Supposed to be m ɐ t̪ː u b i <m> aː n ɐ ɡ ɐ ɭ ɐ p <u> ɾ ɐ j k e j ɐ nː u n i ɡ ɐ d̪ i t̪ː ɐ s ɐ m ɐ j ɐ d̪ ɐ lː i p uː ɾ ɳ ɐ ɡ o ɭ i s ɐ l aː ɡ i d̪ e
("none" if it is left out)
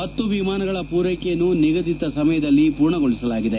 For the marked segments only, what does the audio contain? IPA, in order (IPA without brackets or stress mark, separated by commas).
m, uː